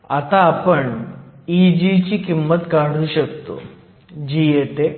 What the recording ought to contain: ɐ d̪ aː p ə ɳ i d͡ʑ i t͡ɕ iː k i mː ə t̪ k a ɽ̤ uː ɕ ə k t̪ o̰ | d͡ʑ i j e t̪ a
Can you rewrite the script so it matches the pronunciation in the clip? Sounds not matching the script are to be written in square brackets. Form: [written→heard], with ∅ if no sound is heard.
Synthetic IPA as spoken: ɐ [d̪→t̪] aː p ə ɳ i d͡ʑ i t͡ɕ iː k i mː ə t̪ k a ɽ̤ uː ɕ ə k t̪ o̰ | d͡ʑ i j e t̪ [a→e]